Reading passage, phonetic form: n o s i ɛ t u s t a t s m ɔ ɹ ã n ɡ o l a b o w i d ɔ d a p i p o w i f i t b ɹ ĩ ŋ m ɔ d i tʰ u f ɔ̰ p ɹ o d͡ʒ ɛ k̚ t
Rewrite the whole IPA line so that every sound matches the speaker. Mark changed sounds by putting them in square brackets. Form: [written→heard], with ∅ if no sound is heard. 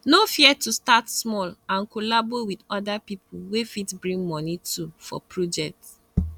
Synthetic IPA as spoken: n o [s→f] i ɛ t u s t a t s m ɔ [ɹ→l] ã n [ɡ→k] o l a b o w i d ɔ d a p i p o w [i→e] f i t b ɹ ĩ ŋ m ɔ [d→n] i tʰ u f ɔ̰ p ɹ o d͡ʒ ɛ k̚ t